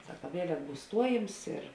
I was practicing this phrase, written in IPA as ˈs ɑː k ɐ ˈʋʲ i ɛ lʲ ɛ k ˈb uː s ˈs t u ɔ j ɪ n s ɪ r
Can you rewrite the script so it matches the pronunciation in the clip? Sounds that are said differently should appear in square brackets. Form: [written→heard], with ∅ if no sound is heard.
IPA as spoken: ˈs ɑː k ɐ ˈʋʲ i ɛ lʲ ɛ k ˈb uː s ˈs t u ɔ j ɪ [n→m] s ɪ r